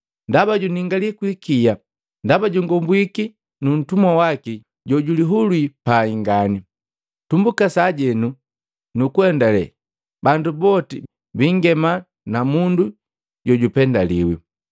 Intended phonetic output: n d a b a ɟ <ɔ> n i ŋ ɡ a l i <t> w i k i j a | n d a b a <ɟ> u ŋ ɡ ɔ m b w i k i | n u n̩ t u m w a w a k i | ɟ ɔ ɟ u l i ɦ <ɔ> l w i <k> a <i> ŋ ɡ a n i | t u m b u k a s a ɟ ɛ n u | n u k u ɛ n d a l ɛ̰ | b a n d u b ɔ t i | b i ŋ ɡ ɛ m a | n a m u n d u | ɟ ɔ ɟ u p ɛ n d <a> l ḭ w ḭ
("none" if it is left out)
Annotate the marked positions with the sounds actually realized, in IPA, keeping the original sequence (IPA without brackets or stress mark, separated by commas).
u, k, ɟ, u, p, i, a